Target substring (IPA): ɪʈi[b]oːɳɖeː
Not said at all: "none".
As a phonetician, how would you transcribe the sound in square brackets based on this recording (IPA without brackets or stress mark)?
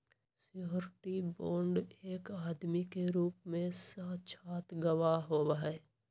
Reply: b